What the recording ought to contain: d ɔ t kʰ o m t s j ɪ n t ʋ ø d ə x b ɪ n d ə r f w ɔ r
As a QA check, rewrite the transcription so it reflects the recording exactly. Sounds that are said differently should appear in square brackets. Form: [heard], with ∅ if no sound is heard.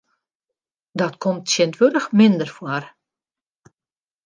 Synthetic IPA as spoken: d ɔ t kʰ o m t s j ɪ n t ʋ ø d ə x [m] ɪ n d ə r f w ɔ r